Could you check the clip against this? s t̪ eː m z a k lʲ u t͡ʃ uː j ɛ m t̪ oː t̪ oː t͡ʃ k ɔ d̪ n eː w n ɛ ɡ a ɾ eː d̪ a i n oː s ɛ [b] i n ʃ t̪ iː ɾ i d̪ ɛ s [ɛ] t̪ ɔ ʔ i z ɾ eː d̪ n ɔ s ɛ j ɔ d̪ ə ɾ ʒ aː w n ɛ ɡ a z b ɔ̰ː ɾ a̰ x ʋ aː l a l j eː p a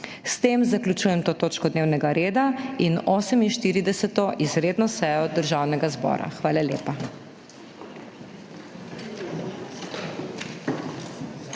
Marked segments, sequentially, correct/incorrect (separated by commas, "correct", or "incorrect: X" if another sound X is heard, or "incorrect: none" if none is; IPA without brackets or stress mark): incorrect: m, correct